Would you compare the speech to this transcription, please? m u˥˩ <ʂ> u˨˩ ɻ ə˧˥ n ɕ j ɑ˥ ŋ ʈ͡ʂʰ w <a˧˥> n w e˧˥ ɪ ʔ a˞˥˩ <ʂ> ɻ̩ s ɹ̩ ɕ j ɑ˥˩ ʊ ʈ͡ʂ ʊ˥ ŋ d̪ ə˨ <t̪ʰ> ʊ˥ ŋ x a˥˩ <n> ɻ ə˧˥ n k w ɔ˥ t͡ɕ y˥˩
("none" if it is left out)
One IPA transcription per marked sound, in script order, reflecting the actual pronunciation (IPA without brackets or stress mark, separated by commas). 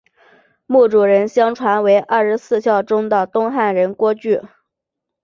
ʈ͡ʂ, a˧˥, ʂ, t̪, n